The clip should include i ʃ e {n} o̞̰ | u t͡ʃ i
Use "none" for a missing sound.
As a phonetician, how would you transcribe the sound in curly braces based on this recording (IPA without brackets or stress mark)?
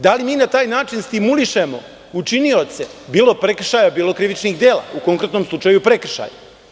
m